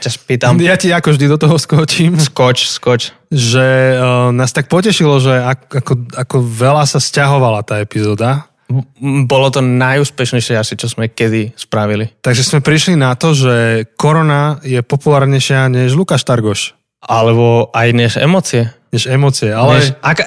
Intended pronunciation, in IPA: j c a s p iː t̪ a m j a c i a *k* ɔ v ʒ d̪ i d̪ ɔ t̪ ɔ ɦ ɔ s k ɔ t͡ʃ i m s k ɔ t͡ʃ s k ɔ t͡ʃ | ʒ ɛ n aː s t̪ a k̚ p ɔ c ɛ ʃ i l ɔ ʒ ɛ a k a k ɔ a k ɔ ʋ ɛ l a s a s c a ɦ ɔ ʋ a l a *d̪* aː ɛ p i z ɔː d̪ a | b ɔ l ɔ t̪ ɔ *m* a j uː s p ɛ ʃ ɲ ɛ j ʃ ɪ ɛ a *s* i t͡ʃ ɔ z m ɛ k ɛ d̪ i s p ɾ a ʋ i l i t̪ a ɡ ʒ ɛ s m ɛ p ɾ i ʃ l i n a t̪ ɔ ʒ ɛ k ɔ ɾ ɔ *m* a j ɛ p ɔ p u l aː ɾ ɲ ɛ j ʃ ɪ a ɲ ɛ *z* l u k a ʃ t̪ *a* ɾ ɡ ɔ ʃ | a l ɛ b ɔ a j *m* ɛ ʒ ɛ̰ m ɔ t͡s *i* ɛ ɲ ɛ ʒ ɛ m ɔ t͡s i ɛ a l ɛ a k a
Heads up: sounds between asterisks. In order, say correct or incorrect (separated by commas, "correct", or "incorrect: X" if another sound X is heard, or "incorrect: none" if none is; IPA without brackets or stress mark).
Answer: correct, incorrect: t̪, incorrect: n, correct, incorrect: n, incorrect: ʒ, correct, incorrect: ɲ, correct